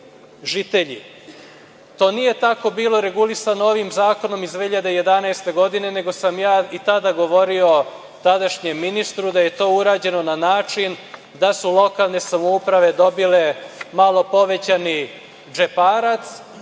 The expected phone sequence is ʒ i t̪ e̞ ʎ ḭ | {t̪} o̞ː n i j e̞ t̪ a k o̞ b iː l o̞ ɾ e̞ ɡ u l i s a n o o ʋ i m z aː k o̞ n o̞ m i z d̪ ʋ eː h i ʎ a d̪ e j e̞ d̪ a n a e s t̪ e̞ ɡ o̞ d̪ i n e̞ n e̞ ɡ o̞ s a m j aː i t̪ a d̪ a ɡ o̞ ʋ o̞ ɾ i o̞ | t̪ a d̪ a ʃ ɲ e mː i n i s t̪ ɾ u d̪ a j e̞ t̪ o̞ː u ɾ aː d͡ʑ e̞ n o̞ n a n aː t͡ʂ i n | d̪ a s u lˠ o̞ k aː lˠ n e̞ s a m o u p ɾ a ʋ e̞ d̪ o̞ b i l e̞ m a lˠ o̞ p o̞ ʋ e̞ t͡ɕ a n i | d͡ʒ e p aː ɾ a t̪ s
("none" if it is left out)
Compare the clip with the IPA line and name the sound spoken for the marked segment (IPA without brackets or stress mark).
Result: t̪